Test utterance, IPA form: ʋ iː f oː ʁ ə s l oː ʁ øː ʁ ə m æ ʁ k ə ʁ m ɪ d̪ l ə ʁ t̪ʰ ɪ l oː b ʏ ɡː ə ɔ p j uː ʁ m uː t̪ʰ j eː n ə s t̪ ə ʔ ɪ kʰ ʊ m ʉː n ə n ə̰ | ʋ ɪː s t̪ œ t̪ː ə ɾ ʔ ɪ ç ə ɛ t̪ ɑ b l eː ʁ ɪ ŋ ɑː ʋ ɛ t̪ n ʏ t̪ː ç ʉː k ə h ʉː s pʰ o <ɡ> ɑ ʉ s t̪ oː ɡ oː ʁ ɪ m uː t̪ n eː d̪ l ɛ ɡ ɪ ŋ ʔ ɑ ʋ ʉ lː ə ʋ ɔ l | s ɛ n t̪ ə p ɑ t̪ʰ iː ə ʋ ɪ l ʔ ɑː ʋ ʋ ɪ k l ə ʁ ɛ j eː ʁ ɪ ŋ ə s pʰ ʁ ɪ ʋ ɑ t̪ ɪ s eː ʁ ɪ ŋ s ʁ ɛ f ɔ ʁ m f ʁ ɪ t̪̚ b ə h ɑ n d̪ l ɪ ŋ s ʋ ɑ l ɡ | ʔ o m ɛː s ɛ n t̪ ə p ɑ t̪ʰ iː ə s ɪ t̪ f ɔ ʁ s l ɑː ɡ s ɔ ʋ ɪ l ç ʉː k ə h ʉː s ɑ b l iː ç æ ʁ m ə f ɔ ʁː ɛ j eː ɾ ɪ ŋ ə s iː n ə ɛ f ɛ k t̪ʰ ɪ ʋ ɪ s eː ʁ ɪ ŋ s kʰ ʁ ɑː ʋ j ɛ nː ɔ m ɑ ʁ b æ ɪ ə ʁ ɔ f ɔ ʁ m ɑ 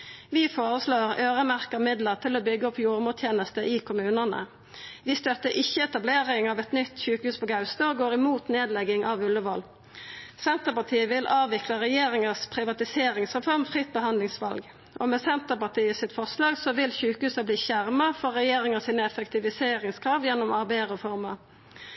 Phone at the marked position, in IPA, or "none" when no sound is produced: ɡ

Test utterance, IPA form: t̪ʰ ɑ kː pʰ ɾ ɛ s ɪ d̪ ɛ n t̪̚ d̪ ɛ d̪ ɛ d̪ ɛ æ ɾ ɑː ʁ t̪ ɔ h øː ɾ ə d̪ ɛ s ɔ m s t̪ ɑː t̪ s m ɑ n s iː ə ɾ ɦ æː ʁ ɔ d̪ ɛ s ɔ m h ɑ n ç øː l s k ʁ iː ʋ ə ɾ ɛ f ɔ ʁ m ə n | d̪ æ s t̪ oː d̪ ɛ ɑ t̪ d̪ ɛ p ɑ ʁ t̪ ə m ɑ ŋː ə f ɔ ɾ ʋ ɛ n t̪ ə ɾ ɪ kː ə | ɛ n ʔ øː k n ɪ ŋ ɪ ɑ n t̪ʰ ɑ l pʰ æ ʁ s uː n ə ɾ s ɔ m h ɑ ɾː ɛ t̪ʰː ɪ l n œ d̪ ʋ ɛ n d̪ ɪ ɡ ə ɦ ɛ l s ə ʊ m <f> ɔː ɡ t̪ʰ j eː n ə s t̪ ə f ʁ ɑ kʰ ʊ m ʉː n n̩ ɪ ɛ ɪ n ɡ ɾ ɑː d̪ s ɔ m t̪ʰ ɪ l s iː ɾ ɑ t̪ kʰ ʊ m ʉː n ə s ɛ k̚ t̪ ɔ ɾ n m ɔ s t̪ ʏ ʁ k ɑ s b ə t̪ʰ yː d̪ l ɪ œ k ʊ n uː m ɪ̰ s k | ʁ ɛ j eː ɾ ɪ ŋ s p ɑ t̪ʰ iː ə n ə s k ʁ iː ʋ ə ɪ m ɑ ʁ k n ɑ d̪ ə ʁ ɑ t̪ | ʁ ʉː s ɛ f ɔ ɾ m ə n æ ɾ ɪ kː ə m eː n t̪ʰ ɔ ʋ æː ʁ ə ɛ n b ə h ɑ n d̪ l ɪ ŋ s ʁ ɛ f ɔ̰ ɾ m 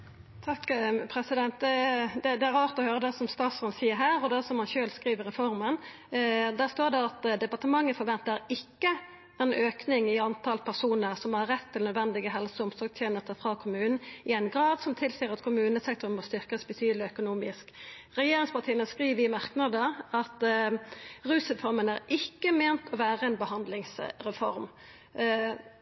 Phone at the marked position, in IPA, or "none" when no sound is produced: s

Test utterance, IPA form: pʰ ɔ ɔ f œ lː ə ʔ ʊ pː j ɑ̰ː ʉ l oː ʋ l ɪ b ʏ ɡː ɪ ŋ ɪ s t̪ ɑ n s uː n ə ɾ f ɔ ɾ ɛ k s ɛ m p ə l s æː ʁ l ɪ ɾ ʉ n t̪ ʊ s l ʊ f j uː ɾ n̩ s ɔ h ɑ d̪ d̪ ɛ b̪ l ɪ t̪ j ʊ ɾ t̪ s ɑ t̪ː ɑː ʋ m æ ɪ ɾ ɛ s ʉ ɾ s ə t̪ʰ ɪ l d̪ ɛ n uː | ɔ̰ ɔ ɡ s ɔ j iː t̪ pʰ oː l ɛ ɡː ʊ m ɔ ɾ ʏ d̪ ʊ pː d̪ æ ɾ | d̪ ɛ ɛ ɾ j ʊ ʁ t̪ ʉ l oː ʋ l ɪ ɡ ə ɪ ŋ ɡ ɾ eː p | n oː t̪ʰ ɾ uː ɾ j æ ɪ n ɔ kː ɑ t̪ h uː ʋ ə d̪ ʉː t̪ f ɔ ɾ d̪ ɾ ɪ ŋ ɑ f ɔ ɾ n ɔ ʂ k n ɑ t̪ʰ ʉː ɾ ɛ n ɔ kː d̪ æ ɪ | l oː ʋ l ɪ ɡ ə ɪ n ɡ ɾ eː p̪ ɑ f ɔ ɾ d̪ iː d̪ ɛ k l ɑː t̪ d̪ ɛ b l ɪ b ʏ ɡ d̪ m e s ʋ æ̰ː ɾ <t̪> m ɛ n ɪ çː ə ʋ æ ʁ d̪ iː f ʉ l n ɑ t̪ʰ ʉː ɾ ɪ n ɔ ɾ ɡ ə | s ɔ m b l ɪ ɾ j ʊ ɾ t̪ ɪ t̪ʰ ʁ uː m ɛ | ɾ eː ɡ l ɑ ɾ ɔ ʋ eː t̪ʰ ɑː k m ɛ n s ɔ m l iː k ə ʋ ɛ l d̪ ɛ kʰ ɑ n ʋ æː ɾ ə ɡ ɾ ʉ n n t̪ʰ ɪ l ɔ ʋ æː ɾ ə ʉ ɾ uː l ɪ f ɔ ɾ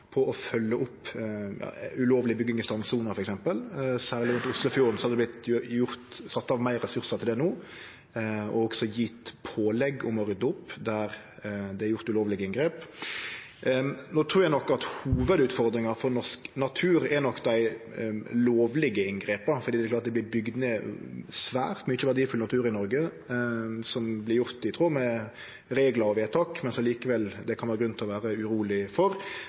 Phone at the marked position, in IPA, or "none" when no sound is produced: t̪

